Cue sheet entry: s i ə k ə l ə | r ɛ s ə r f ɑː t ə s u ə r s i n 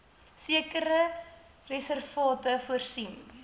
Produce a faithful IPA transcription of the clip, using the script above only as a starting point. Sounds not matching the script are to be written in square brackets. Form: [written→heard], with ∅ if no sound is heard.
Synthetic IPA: s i ə k ə [l→ɾ] ə | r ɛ s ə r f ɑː t ə [s→f] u ə r s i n